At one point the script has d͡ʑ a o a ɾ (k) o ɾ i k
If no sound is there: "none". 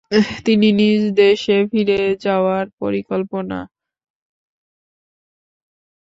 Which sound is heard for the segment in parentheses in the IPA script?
p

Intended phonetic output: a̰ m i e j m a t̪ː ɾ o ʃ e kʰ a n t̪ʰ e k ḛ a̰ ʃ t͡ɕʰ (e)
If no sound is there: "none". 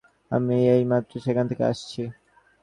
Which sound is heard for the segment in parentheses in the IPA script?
i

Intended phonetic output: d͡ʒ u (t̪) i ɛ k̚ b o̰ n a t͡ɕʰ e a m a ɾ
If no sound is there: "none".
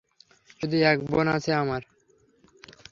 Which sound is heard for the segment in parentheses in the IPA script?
d̪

